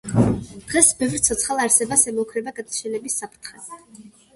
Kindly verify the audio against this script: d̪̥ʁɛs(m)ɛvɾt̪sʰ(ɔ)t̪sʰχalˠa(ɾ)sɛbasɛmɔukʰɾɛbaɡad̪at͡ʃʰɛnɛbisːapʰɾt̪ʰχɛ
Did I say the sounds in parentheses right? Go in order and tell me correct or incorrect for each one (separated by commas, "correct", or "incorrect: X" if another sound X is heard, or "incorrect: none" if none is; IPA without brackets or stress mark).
incorrect: b, correct, correct